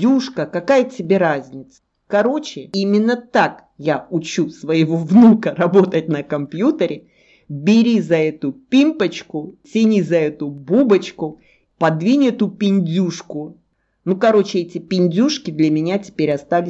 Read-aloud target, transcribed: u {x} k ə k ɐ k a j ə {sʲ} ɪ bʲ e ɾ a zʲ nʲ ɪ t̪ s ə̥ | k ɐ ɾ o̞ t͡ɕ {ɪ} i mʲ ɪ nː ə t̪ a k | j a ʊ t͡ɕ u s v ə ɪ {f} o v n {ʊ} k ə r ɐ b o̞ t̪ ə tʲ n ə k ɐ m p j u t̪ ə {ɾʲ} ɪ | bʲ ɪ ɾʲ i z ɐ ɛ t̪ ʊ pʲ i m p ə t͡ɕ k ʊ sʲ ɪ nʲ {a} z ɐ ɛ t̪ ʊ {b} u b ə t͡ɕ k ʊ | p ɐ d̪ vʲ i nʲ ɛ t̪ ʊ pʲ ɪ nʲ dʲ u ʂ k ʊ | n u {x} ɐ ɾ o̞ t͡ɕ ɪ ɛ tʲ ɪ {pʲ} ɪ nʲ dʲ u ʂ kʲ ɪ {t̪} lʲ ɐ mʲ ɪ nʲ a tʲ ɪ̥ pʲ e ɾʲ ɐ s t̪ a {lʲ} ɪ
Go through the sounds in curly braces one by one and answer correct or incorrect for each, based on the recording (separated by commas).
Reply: incorrect, incorrect, correct, incorrect, incorrect, correct, incorrect, correct, incorrect, correct, incorrect, correct